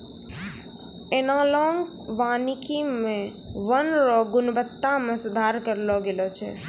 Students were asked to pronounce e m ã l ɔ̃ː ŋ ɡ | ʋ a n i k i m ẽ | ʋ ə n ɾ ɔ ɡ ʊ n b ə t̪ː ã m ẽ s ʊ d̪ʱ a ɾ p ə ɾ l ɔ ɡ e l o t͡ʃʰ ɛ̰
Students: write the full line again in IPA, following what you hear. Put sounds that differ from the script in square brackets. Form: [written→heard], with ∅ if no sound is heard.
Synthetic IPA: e [m→n] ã l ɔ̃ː ŋ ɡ | ʋ a n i k i m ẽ | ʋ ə n ɾ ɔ ɡ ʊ n b ə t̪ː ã m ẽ s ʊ d̪ʱ a ɾ [p→k] ə ɾ l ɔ ɡ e l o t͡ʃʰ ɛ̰